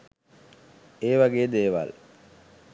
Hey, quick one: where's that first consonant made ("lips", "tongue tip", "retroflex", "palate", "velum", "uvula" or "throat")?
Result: lips